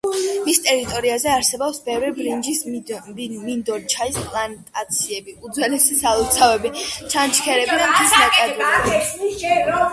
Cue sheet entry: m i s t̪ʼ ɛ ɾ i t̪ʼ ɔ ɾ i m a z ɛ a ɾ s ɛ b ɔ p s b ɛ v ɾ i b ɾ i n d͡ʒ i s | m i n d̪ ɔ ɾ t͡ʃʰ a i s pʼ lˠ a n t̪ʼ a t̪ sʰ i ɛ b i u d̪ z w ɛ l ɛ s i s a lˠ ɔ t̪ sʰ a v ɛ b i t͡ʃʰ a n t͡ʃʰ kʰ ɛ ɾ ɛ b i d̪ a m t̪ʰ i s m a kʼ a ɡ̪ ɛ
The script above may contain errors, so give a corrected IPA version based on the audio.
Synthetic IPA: m i s t̪ʼ ɛ ɾ i t̪ʼ ɔ ɾ i a z ɛ a ɾ s ɛ b ɔ p s b ɛ v ɾ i b ɾ i n d͡ʒ i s | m i n d̪ ɔ ɾ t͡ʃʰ a i s pʼ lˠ a n t̪ʼ a t̪ sʰ i ɛ b i u d̪ z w ɛ l ɛ s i s a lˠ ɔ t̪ sʰ a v ɛ b i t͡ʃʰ a n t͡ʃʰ kʰ ɛ ɾ ɛ b i d̪ a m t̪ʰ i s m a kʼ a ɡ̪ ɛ